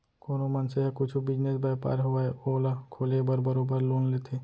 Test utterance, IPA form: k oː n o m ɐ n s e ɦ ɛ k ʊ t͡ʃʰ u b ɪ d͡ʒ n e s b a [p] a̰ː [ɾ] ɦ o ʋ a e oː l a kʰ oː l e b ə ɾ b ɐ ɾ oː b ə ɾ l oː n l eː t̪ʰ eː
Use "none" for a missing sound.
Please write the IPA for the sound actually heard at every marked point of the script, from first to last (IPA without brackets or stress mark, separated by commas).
p, ɾ